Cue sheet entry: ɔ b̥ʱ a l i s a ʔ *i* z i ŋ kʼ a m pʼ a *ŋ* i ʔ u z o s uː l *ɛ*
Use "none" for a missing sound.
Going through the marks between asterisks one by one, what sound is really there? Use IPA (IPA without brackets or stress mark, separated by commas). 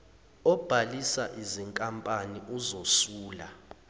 i, n, a